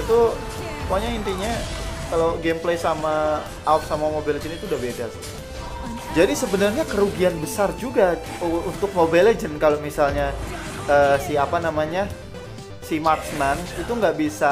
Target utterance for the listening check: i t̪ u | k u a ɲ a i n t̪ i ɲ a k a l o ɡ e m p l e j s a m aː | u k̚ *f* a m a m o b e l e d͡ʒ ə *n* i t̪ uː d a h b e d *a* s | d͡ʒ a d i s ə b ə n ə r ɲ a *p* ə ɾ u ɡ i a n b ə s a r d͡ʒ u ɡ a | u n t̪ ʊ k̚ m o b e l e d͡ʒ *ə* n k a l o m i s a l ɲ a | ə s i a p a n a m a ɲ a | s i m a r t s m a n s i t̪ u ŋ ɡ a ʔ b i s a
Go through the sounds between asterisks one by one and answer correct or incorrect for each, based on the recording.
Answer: incorrect: s, correct, correct, incorrect: k, correct

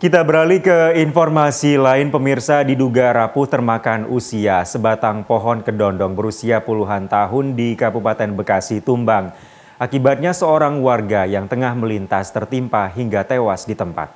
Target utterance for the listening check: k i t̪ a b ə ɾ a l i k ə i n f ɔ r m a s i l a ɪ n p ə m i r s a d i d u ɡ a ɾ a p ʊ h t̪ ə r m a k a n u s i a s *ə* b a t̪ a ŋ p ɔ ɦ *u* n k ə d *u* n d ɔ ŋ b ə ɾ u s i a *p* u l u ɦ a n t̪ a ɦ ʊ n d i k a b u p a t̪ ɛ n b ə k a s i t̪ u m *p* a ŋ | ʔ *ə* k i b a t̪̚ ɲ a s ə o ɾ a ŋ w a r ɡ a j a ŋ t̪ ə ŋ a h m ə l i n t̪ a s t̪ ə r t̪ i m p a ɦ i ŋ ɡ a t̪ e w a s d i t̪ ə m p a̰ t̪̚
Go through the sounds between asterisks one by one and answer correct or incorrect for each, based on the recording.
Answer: correct, incorrect: ɔ, incorrect: ɔ, correct, incorrect: b, incorrect: a

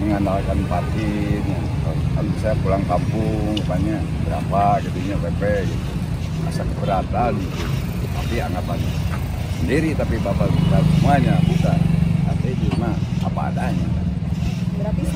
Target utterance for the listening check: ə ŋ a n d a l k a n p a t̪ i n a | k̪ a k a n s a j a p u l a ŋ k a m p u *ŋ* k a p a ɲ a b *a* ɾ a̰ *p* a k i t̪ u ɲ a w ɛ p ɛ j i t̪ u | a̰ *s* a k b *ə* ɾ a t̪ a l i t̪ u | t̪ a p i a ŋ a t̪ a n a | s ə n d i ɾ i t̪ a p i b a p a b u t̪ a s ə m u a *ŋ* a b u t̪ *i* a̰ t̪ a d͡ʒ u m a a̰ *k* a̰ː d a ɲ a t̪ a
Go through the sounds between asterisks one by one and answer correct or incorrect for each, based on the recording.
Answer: correct, incorrect: ə, correct, correct, correct, incorrect: ɲ, incorrect: a, incorrect: p

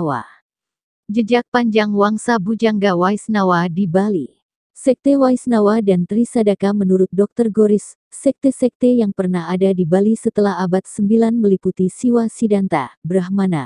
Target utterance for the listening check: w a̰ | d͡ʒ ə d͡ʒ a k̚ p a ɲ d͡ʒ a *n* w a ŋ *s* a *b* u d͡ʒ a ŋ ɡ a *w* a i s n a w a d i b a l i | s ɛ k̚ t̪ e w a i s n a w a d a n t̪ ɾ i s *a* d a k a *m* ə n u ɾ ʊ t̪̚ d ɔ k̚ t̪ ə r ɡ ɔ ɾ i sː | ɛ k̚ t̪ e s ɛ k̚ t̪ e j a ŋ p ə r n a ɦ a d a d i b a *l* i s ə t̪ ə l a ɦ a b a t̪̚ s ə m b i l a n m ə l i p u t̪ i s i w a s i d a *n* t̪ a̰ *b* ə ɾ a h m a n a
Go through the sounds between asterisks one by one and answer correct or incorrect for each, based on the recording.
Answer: incorrect: ŋ, correct, correct, correct, correct, correct, correct, correct, correct

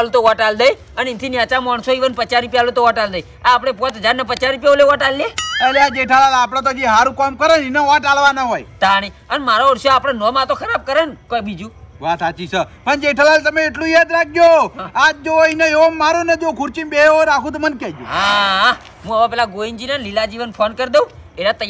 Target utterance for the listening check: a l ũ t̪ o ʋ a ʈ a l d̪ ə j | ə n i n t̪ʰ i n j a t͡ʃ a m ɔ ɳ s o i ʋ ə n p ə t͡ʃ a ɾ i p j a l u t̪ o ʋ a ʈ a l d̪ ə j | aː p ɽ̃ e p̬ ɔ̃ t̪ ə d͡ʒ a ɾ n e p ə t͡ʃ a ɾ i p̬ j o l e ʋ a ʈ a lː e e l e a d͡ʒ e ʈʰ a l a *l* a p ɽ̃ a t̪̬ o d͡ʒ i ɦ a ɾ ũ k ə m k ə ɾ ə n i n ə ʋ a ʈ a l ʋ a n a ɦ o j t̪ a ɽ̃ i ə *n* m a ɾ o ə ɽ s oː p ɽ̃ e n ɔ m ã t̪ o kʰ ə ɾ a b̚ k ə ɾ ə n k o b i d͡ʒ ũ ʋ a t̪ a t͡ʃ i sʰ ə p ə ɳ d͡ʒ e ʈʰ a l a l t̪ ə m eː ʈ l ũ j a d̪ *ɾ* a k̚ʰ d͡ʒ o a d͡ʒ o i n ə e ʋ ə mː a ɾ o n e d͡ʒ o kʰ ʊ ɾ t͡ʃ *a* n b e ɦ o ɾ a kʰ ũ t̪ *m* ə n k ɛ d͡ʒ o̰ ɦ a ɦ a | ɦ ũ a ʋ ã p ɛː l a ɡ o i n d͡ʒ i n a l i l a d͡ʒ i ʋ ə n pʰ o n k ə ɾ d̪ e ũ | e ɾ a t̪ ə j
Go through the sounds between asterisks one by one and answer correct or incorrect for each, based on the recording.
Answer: correct, correct, correct, incorrect: i, correct

